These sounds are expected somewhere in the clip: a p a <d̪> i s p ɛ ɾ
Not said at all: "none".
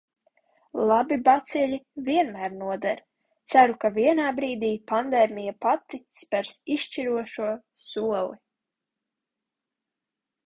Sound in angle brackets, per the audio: t̪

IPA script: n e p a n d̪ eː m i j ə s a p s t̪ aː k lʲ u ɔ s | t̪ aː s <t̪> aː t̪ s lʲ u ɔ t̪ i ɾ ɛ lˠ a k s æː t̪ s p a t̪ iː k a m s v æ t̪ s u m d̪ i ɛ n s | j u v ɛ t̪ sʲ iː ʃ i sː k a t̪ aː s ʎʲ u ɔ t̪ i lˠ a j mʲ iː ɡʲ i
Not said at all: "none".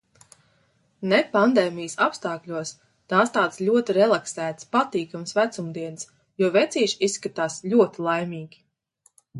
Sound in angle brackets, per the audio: t̪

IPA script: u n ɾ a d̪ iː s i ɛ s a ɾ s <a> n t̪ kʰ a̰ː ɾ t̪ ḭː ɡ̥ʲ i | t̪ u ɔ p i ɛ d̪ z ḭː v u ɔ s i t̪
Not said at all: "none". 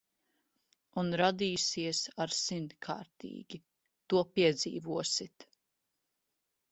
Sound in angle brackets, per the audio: i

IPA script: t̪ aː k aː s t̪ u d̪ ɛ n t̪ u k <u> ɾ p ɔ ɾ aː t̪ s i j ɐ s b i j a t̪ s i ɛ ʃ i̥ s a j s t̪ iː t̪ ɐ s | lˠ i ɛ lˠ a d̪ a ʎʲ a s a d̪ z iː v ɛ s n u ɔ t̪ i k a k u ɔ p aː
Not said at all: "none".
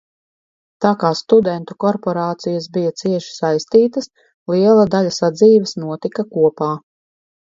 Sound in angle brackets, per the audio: ɔ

